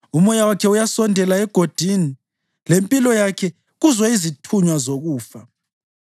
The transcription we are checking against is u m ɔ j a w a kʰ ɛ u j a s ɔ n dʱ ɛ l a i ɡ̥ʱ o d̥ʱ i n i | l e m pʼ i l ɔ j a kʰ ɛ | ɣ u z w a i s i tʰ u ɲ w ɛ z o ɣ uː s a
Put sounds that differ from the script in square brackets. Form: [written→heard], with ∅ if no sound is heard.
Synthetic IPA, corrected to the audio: u m ɔ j a w a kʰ ɛ u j a s ɔ n dʱ ɛ l a [i→ɛ] ɡ̥ʱ o d̥ʱ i n i | l e m pʼ i l ɔ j a kʰ ɛ | ɣ u z w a i [s→z] i tʰ u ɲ w [ɛ→a] z o ɣ uː [s→f] a